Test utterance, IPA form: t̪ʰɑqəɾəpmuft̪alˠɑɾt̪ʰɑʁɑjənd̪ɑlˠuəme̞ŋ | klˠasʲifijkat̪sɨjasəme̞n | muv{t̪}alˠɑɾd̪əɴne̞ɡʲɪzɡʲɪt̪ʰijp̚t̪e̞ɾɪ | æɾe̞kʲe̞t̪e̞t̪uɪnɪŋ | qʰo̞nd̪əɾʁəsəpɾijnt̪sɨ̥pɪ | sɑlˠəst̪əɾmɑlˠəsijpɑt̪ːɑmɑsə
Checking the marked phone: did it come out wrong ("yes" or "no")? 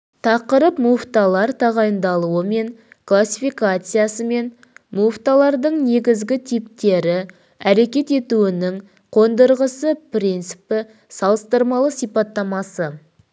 no